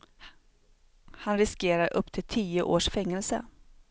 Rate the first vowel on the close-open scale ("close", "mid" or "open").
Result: open